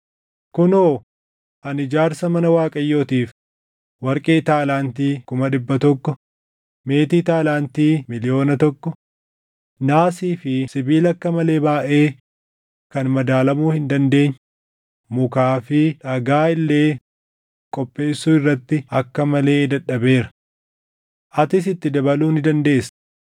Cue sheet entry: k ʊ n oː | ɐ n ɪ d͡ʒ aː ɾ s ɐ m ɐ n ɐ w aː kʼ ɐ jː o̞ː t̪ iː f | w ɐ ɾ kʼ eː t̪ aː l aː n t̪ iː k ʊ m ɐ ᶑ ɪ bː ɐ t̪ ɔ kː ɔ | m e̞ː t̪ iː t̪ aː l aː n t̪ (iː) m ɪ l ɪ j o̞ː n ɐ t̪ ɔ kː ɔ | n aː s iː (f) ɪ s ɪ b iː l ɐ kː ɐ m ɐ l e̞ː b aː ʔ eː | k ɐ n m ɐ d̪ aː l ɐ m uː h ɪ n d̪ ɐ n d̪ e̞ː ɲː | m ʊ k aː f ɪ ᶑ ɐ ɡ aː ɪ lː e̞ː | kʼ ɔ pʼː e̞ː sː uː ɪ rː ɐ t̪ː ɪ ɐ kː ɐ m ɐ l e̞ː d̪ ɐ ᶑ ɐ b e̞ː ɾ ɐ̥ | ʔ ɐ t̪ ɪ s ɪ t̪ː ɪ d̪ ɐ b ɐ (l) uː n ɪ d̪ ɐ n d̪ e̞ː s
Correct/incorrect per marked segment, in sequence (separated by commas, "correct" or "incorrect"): correct, correct, correct